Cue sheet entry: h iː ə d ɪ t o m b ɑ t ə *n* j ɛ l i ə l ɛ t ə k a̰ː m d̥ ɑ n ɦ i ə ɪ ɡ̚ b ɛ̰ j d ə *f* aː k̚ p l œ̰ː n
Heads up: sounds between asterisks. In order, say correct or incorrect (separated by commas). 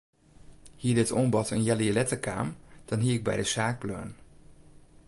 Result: correct, incorrect